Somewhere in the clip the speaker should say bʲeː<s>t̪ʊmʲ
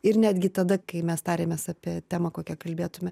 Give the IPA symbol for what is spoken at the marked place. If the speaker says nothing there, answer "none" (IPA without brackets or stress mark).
none